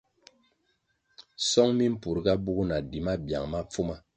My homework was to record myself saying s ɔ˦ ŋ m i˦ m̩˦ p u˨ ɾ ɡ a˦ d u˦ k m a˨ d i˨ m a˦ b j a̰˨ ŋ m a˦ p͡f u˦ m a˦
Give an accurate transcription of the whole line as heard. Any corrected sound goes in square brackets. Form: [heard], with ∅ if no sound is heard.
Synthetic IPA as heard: s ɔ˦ ŋ m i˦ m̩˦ p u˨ ɾ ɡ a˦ [b] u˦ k [n] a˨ d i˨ m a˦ b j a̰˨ ŋ m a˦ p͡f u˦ m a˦